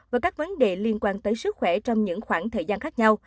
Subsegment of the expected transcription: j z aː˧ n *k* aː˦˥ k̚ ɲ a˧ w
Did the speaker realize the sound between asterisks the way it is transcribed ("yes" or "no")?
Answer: no